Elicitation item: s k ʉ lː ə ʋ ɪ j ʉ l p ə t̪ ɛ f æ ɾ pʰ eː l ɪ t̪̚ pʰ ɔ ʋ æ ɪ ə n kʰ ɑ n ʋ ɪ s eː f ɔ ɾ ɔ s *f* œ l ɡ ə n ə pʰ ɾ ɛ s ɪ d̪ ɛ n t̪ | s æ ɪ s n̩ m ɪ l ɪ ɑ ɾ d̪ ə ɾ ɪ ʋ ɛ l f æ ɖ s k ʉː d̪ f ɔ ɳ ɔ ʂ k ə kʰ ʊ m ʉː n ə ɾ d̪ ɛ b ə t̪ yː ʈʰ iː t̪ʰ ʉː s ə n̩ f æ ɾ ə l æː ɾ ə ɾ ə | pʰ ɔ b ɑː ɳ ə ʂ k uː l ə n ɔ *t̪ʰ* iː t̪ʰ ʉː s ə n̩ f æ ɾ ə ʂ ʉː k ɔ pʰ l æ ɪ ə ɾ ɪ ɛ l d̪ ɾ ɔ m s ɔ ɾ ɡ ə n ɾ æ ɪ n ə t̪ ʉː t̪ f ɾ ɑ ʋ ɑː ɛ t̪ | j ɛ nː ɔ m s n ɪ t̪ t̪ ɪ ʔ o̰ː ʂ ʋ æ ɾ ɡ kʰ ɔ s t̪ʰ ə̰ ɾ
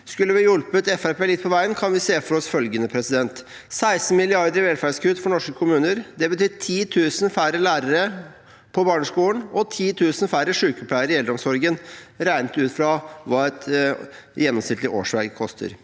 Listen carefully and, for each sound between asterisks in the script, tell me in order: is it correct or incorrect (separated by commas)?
correct, correct